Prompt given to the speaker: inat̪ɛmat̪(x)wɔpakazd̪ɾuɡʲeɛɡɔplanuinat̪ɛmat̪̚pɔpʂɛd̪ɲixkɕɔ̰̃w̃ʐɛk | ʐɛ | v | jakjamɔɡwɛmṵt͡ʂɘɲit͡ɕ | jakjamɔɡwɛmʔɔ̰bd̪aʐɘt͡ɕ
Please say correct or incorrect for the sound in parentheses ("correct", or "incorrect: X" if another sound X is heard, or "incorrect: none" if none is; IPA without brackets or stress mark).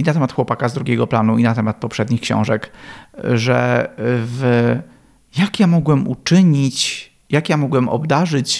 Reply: correct